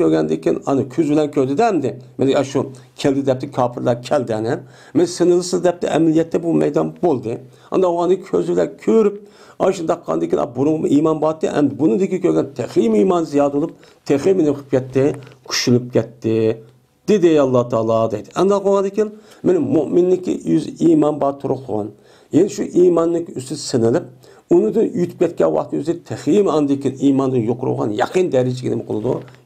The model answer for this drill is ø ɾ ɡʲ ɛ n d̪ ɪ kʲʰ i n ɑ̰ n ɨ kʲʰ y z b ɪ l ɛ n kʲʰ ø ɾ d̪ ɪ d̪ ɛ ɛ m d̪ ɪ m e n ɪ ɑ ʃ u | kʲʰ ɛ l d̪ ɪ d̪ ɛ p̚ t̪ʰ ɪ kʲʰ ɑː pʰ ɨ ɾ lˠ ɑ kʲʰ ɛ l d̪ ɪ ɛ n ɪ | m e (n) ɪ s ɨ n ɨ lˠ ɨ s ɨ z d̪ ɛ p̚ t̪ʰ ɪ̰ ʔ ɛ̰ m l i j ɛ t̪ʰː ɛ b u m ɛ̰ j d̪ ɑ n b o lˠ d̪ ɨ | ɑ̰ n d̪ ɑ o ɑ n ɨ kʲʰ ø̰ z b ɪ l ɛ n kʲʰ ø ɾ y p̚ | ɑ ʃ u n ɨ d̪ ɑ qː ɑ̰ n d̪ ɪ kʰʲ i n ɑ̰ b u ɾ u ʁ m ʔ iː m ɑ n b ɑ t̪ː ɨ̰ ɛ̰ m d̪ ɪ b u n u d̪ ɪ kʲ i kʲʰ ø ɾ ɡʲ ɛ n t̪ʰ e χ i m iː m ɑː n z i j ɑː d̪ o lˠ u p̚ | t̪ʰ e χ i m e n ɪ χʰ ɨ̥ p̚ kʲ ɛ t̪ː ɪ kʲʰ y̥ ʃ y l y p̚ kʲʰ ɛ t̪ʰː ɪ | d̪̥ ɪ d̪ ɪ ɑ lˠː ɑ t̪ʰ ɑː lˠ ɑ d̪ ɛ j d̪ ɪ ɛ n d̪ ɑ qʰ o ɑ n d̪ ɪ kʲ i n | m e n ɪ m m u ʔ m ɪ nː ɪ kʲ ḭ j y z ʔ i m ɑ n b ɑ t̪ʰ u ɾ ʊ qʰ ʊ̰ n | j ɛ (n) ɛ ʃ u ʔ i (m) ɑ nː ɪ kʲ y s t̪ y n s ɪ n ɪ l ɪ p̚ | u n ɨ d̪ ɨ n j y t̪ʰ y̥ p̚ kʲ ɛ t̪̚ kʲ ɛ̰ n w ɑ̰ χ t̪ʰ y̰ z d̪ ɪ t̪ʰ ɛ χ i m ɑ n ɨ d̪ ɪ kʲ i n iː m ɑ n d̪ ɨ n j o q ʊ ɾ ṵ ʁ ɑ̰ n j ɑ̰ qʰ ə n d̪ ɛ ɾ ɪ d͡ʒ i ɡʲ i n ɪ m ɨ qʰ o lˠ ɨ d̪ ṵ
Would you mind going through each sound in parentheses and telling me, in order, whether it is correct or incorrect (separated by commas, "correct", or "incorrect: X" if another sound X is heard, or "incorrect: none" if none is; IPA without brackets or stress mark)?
correct, correct, correct